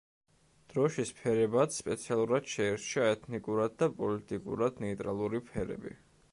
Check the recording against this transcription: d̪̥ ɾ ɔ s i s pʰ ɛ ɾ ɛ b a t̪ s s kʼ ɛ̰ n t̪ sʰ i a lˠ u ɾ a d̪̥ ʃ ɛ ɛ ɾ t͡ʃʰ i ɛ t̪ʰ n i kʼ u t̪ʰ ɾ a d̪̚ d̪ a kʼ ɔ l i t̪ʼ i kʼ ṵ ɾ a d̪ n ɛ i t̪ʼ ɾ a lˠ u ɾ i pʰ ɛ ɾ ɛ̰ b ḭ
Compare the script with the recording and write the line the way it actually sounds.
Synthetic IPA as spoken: d̪̥ ɾ ɔ ʃ i s pʰ ɛ ɾ ɛ b a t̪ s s pʼ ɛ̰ t̪ sʰ i a lˠ u ɾ a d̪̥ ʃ ɛ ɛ ɾ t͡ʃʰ a ɛ t̪ʰ n i kʼ u ɾ a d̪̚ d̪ a pʼ ɔ l i t̪ʼ i kʼ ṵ ɾ a d̪ n ɛ i t̪ʼ ɾ a lˠ u ɾ i pʰ ɛ ɾ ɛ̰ b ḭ